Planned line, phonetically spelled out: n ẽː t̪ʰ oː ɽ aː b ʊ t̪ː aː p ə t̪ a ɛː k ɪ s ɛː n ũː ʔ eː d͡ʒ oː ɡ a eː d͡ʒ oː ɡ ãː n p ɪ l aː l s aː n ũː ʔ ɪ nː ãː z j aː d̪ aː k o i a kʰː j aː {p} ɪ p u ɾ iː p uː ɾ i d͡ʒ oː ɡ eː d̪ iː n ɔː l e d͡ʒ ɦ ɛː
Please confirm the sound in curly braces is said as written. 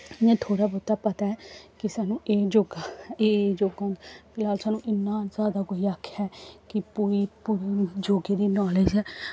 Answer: no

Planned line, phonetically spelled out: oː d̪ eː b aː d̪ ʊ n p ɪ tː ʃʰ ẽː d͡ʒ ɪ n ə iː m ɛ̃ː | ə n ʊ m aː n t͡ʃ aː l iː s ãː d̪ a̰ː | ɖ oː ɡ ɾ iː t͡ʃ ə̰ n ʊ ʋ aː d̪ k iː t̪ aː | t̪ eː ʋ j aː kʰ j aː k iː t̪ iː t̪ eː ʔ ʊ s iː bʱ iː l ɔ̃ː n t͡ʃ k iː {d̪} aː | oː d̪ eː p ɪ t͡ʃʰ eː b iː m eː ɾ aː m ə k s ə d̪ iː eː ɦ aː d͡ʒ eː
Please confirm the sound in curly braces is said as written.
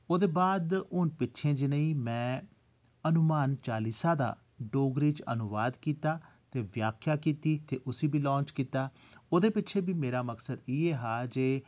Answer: no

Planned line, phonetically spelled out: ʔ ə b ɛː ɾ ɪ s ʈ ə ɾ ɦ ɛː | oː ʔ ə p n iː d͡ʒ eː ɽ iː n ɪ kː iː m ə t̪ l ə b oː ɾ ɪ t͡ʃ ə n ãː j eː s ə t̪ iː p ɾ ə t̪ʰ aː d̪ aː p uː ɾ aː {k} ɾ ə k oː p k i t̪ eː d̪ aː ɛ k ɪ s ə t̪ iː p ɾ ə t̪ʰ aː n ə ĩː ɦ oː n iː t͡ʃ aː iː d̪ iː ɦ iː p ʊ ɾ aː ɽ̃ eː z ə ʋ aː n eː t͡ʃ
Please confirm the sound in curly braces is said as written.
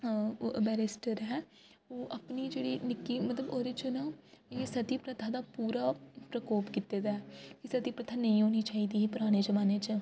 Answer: no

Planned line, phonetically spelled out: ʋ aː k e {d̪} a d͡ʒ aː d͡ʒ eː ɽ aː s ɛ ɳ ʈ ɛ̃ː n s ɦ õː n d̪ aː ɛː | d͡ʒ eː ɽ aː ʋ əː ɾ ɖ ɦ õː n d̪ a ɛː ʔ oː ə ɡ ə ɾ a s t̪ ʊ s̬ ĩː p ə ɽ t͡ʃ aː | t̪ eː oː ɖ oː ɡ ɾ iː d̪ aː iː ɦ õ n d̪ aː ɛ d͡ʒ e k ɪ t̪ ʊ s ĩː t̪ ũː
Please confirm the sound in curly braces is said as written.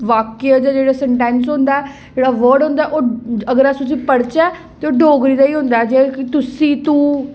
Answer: no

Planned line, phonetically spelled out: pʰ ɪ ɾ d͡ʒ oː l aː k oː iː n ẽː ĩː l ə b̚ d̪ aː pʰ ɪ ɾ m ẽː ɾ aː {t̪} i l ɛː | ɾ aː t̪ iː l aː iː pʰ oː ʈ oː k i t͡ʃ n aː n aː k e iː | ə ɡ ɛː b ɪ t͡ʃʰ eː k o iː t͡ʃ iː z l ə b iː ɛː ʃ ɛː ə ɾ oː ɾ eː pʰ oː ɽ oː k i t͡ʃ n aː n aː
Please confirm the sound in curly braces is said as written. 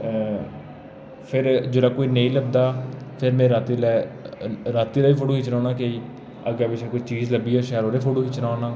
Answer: yes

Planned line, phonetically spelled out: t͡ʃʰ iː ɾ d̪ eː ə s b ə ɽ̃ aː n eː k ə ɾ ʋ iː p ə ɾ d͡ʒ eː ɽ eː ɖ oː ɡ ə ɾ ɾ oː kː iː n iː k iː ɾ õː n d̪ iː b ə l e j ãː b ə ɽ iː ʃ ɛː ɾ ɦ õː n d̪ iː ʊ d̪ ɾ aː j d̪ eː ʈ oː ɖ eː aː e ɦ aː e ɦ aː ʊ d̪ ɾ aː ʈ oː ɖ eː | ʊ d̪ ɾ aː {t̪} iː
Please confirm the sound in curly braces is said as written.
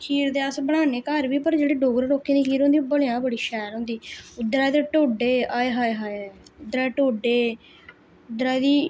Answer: no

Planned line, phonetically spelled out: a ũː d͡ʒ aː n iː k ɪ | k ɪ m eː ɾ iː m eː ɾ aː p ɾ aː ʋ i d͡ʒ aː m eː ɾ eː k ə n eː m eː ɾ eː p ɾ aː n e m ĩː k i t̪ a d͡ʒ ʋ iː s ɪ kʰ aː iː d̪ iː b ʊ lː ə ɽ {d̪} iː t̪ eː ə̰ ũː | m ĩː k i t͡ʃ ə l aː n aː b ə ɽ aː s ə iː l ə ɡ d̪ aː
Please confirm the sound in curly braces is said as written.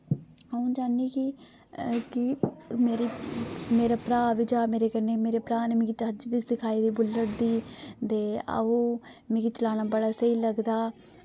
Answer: yes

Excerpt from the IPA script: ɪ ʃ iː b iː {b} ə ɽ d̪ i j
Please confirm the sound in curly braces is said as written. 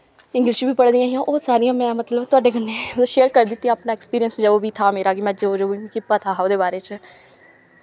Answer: no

